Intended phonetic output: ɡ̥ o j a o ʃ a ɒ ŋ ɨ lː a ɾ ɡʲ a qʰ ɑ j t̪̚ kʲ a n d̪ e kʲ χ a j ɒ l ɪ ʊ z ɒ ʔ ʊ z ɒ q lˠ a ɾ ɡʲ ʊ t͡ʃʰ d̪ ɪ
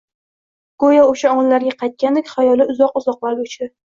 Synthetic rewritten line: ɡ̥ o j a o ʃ a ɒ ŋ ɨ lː a ɾ ɡʲ a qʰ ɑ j t̪̚ kʲ a n d̪ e kʲ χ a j ɒ l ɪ ʊ z ɒ q ʊ z ɒ q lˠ a ɾ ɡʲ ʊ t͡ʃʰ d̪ ɪ